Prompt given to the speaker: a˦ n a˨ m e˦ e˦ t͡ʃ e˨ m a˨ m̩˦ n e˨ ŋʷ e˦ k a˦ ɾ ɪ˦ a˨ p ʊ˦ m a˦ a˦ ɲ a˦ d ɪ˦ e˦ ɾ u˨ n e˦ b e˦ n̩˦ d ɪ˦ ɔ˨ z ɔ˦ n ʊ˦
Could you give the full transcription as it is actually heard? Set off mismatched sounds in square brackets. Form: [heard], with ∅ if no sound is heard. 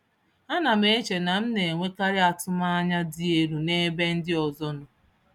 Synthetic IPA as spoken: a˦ n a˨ m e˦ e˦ t͡ʃ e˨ [n] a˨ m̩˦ n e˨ ŋʷ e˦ k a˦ ɾ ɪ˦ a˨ [t] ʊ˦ m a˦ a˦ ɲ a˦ d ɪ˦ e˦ ɾ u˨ n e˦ b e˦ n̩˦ d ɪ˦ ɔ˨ z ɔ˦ n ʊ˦